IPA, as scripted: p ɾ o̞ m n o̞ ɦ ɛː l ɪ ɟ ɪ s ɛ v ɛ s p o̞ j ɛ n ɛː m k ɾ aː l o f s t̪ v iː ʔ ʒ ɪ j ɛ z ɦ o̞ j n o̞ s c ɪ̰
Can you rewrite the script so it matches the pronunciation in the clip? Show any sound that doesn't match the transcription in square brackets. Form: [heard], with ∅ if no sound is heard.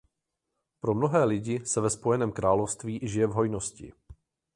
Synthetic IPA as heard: p ɾ o̞ m n o̞ ɦ ɛː l ɪ ɟ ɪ s ɛ v ɛ s p o̞ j ɛ n ɛː m k ɾ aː l o f s t̪ v iː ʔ ʒ ɪ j ɛ [v] ɦ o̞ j n o̞ s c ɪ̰